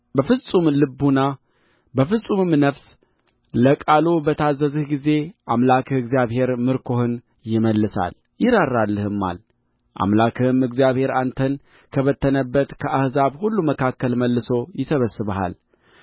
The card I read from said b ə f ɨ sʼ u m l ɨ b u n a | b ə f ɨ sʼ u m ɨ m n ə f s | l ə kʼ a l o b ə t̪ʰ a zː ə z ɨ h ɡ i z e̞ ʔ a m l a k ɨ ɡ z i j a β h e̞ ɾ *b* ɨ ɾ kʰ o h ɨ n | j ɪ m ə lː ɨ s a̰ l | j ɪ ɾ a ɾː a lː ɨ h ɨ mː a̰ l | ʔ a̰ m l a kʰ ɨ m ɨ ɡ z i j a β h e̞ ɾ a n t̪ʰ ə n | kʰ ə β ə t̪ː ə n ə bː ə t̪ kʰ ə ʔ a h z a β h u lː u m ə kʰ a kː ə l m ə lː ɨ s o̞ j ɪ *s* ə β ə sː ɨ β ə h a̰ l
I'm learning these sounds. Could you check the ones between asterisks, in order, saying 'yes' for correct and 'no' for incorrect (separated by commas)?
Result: no, yes